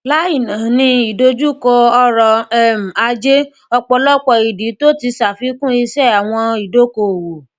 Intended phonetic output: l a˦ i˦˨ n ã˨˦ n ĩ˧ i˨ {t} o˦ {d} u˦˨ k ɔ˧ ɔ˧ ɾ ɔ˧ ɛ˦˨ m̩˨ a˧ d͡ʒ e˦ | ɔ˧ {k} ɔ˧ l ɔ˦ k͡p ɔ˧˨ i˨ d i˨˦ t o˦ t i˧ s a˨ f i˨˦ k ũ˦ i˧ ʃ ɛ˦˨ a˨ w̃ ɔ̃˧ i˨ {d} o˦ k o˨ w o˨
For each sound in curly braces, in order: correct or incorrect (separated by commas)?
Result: incorrect, incorrect, incorrect, correct